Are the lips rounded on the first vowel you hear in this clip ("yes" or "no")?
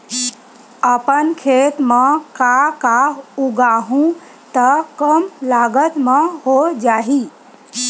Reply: no